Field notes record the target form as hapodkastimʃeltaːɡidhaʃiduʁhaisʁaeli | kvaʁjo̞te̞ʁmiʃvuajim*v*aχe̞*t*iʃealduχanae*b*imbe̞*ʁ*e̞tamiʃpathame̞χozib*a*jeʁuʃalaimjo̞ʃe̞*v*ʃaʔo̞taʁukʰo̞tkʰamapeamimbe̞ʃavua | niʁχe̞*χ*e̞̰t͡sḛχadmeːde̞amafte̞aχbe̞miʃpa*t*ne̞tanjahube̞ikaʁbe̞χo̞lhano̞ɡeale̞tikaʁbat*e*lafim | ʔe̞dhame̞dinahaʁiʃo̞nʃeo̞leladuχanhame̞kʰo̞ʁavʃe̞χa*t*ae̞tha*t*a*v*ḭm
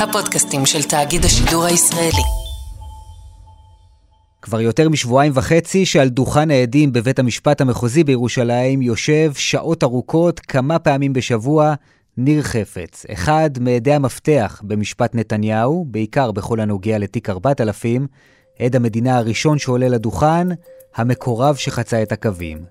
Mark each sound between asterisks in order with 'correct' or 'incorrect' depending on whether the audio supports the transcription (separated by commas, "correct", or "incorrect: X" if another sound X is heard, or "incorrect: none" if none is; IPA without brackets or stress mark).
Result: correct, incorrect: t͡s, incorrect: d, incorrect: v, incorrect: e, correct, incorrect: f, correct, incorrect: a, incorrect: t͡s, incorrect: k, correct